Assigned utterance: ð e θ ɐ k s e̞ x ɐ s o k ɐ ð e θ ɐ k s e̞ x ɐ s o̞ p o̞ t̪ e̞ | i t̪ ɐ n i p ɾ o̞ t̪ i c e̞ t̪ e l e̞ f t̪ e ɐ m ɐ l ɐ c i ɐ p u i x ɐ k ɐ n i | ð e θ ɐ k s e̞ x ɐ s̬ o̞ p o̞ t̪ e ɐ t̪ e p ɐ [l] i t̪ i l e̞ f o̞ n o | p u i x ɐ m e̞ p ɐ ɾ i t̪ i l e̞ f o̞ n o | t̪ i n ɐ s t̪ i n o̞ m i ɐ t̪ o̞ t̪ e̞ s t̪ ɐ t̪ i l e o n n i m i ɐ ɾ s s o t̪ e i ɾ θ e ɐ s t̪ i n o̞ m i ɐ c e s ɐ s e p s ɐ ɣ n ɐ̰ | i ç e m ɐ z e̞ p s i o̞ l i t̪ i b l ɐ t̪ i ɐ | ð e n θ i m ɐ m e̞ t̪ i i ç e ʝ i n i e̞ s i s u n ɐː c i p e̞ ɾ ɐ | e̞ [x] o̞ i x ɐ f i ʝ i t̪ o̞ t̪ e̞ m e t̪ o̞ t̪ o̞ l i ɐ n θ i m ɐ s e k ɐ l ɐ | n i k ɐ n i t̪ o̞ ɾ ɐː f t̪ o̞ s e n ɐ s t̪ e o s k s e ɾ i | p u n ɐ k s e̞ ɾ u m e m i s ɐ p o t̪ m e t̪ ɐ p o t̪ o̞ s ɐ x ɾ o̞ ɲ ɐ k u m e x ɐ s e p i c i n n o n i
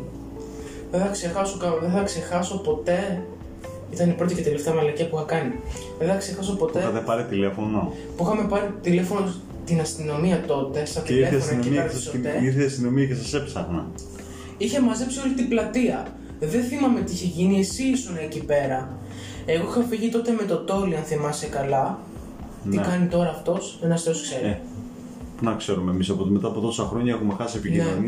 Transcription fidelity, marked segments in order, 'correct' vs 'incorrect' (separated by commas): incorrect, incorrect